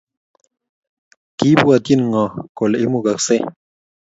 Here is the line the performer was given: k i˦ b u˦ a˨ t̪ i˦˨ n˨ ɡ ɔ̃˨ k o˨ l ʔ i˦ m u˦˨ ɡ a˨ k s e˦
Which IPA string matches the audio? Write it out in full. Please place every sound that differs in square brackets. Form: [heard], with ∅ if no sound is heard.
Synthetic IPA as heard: k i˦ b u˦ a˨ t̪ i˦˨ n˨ [ŋ] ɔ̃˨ k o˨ l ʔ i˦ m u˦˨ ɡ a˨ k s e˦